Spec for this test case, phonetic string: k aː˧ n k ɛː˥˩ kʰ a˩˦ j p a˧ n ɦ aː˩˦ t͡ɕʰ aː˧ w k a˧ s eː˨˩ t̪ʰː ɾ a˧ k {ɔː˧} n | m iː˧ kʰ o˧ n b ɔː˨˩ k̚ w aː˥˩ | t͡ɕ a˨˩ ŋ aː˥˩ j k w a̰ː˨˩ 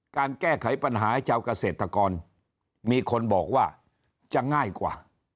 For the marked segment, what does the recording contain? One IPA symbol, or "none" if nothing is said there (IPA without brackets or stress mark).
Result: ɔː˧